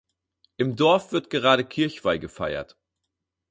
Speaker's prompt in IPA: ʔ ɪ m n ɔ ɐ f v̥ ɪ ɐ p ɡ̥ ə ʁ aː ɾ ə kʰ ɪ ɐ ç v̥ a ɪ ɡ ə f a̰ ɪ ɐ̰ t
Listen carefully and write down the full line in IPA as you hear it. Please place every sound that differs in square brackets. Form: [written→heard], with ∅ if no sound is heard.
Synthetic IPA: ʔ ɪ m [n→d] ɔ ɐ f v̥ ɪ ɐ [p→t] ɡ̥ ə ʁ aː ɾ ə kʰ ɪ ɐ ç v̥ a ɪ ɡ ə f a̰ ɪ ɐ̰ t

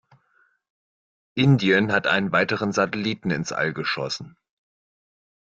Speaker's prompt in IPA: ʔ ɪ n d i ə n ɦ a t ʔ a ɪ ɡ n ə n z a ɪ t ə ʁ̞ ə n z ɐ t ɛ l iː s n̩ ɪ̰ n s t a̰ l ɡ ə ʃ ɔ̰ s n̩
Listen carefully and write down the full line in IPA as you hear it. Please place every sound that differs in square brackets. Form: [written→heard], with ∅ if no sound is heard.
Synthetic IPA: ʔ ɪ n d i ə n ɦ a t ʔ a ɪ [ɡ→∅] n ə n [z→v] a ɪ t ə ʁ̞ ə n z [ɐ→a] t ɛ l iː [s→t] n̩ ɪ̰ n s [t→ʔ] a̰ l ɡ ə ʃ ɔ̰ s n̩

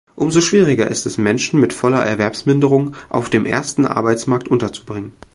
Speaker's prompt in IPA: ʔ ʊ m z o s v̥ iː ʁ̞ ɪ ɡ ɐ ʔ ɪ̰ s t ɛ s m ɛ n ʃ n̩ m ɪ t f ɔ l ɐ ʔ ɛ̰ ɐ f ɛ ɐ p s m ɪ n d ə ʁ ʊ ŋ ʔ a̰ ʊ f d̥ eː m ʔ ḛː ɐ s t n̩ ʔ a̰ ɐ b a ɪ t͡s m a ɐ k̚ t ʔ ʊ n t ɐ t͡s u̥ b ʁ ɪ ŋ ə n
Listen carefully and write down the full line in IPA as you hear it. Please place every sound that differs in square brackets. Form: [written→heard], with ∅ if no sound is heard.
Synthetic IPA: ʔ ʊ m z o [s→ʃ] v̥ iː ʁ̞ ɪ ɡ ɐ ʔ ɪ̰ s t ɛ s m ɛ n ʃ n̩ m ɪ t f ɔ l ɐ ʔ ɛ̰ ɐ [f→v] ɛ ɐ p s m ɪ n d ə ʁ ʊ ŋ ʔ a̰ ʊ f d̥ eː m ʔ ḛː ɐ s t n̩ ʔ a̰ ɐ b a ɪ t͡s m a ɐ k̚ t ʔ ʊ n t ɐ t͡s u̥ b ʁ ɪ ŋ ə n

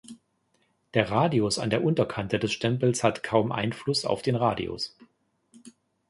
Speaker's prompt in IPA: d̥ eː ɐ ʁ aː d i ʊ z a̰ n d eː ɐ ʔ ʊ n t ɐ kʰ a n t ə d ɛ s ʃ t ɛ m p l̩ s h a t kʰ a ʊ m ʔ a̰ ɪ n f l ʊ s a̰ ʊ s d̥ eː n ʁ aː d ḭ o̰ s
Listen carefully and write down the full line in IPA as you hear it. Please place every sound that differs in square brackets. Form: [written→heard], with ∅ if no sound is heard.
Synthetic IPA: d̥ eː ɐ ʁ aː d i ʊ [z→s] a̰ n d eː ɐ ʔ ʊ n t ɐ kʰ a n t ə d ɛ s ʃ t ɛ m p l̩ s h a t kʰ a ʊ m ʔ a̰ ɪ n f l ʊ s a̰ ʊ [s→f] d̥ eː n ʁ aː d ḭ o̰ s

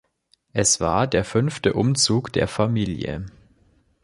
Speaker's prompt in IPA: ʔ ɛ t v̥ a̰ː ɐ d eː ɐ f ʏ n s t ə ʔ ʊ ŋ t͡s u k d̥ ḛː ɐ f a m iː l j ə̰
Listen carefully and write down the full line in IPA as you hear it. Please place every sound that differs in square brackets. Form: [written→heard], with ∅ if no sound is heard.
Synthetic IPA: ʔ ɛ [t→s] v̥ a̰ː ɐ d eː ɐ f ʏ n [s→f] t ə ʔ ʊ [ŋ→m] t͡s [u→uː] k d̥ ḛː ɐ f a m iː l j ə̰

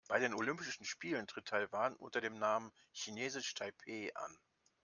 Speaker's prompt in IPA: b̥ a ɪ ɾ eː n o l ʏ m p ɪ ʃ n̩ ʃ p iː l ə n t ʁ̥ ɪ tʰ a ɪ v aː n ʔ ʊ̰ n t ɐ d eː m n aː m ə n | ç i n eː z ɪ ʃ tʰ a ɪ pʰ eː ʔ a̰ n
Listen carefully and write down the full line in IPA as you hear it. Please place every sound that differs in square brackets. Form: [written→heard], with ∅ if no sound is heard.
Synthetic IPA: b̥ a ɪ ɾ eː n o l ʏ m p ɪ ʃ n̩ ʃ p iː l ə n t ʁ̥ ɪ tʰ a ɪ v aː n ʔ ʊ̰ n t ɐ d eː m n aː m ə n | ç i n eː z ɪ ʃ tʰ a ɪ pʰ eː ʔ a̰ n

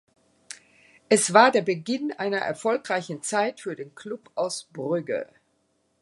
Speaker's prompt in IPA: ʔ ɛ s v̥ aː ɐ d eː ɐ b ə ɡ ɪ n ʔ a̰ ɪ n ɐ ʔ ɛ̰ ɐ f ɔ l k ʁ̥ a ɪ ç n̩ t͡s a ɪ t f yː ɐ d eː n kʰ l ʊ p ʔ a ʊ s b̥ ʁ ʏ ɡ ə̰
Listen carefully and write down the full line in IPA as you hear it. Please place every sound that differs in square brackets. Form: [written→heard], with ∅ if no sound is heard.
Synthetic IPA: ʔ ɛ s v̥ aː ɐ d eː ɐ b ə ɡ ɪ n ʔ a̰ ɪ n ɐ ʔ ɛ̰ ɐ f ɔ l k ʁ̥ a ɪ ç n̩ t͡s a ɪ t f yː ɐ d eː n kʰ l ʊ p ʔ a ʊ s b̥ ʁ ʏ ɡ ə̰

